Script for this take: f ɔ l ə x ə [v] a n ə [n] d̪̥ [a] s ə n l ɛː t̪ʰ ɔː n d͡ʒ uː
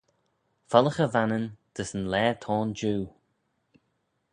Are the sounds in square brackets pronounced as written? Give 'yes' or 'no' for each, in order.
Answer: yes, yes, no

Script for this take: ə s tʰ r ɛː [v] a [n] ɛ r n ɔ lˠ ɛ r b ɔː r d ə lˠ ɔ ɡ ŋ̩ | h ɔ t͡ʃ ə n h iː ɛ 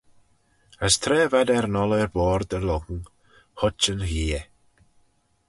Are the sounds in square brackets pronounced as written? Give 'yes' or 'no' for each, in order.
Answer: yes, no

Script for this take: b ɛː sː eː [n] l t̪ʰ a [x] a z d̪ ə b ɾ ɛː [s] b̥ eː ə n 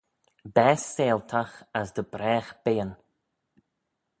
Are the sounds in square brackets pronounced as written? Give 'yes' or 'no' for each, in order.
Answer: no, yes, no

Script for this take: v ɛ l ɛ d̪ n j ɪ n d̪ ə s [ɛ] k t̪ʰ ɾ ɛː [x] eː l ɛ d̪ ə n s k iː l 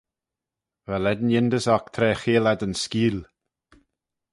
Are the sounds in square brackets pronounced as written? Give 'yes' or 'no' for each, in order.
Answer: no, yes

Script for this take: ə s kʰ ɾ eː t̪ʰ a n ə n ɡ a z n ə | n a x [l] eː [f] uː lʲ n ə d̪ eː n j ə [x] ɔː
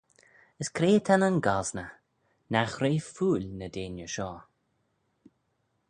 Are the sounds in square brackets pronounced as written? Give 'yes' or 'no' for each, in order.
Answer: no, yes, no

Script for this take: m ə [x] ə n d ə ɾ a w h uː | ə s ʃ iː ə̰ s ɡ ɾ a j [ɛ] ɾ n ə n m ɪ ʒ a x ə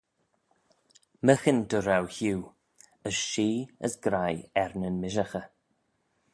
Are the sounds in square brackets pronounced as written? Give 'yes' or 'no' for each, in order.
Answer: yes, yes

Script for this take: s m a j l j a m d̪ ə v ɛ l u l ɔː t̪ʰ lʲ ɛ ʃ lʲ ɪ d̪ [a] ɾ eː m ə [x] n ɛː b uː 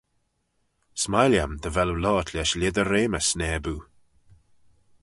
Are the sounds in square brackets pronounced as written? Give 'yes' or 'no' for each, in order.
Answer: no, no

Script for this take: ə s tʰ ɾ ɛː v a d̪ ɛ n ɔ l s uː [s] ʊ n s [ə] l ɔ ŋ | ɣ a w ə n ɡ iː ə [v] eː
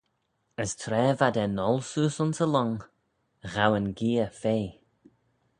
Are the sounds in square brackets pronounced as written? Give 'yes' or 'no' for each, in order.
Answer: yes, yes, no

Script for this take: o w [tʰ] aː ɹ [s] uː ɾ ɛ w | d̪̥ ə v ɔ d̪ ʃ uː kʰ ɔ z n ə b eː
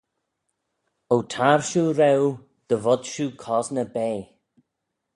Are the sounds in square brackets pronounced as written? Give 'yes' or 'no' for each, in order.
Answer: yes, no

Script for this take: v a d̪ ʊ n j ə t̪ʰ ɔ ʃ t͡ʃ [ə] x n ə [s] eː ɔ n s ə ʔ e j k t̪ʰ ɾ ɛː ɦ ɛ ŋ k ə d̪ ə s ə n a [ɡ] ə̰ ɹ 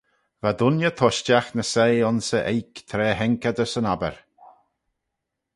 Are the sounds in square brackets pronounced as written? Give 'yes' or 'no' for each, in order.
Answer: no, yes, no

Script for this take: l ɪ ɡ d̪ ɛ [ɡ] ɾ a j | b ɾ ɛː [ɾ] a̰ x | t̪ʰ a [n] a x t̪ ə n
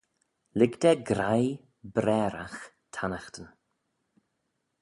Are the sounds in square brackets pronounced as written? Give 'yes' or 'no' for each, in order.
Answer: yes, yes, yes

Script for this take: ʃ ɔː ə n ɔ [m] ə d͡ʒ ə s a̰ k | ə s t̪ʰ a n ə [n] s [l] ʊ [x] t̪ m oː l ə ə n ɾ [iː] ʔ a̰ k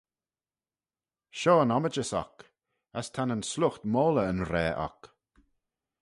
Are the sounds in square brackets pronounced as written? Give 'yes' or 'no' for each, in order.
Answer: yes, yes, yes, yes, no

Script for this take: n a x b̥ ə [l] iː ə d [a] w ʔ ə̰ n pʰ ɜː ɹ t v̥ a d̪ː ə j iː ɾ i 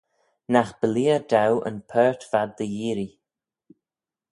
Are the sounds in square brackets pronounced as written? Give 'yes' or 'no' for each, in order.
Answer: yes, yes

